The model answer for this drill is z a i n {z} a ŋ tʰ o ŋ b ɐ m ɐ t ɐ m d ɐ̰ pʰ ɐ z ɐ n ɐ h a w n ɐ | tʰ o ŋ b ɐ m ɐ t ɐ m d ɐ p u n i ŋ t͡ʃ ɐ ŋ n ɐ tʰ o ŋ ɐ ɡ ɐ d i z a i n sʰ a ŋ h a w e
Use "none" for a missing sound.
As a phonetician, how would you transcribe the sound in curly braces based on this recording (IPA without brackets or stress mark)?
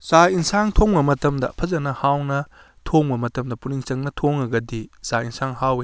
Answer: s